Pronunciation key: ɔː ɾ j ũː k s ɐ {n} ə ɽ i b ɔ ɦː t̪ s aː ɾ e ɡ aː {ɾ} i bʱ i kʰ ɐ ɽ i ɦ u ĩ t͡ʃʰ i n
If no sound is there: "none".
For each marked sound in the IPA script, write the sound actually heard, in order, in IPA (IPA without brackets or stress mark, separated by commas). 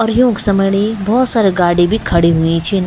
m, ɽ